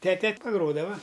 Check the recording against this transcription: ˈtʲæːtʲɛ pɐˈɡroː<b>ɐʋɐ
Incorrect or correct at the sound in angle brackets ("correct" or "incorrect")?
incorrect